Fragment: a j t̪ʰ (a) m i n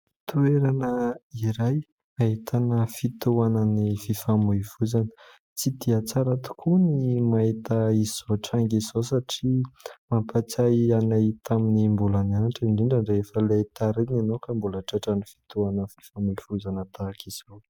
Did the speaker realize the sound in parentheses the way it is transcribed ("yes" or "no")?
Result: yes